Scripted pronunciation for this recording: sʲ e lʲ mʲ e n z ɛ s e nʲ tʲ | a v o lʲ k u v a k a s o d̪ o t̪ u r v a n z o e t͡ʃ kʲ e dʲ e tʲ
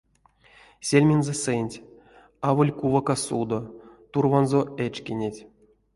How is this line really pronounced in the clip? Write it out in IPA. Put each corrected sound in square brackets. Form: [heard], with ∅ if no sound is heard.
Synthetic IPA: sʲ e lʲ mʲ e n z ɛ s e nʲ tʲ | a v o lʲ k u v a k a s [u] d̪ o t̪ u r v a n z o e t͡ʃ kʲ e [nʲ] e tʲ